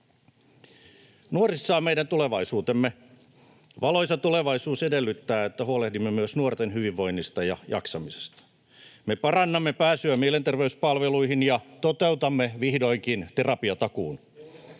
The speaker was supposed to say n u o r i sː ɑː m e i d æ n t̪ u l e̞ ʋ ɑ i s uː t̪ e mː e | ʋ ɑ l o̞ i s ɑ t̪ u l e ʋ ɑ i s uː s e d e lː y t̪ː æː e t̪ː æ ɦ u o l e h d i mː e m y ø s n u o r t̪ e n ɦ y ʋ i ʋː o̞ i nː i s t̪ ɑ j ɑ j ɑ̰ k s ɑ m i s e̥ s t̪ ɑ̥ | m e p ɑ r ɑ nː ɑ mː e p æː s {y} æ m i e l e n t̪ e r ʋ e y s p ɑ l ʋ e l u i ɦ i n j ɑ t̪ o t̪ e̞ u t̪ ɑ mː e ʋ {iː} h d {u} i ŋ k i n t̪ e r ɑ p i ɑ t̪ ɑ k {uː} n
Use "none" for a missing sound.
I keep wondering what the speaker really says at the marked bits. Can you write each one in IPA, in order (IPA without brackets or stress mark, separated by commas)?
y, i, o, uː